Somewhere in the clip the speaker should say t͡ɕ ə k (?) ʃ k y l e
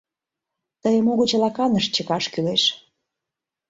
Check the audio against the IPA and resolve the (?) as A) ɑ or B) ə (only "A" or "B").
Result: A